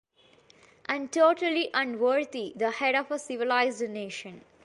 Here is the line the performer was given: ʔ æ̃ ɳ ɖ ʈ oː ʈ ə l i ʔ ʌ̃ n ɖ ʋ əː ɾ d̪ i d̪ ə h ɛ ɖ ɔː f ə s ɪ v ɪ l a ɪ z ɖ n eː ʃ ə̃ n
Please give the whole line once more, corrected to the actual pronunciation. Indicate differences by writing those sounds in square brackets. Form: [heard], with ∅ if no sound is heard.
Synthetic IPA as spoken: ʔ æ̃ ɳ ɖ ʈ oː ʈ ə l i ʔ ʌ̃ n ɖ ʋ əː ɾ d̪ i d̪ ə h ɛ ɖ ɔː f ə s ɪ [ʋ] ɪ l a ɪ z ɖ n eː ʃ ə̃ n